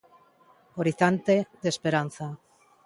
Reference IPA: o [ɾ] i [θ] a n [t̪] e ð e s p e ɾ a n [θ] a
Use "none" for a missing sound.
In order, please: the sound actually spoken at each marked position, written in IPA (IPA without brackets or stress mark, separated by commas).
ɾ, θ, t̪, θ